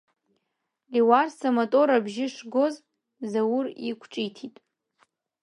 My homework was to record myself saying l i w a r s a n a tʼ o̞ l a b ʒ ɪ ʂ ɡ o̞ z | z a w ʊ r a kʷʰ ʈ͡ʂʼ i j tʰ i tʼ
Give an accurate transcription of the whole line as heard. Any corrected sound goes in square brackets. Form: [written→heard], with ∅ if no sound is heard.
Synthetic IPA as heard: l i w a r s a [n→m] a tʼ o̞ [l→ɾ] a b ʒ ɪ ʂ ɡ o̞ z | z a w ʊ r [a→i] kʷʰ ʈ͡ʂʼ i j tʰ i tʼ